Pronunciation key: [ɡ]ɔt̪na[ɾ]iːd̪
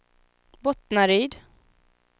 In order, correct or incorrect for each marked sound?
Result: incorrect: b, correct

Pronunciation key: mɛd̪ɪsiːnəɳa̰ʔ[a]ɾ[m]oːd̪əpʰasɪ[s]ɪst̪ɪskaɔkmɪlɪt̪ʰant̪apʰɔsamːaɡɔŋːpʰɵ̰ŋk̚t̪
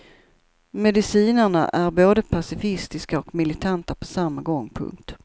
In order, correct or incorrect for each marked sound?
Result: incorrect: æ, incorrect: b, incorrect: f

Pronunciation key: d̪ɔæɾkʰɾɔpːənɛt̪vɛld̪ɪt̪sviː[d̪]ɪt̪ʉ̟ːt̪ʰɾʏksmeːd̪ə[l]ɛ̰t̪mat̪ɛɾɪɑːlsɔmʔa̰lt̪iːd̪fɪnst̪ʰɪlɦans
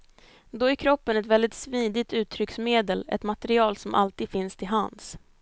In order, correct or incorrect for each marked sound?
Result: correct, correct

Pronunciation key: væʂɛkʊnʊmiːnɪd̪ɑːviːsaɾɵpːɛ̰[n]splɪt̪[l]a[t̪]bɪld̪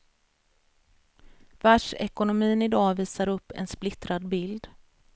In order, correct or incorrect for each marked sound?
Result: correct, incorrect: ɾ, incorrect: d̪

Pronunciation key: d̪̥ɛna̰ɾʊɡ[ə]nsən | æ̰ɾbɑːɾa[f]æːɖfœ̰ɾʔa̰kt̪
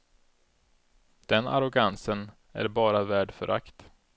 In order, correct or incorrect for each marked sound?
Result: incorrect: a, incorrect: v

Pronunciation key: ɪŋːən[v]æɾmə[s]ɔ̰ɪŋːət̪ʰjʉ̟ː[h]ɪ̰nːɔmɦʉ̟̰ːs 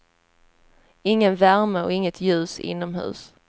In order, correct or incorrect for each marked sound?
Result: correct, incorrect: none, incorrect: s

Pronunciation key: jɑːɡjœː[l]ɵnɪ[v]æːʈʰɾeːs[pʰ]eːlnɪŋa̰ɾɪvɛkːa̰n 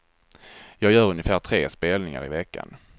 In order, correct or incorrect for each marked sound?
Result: incorrect: ɾ, incorrect: f, incorrect: p

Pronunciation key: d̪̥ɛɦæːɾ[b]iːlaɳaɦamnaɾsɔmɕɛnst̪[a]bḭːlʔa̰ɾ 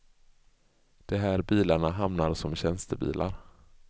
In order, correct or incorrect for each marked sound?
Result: correct, incorrect: ə

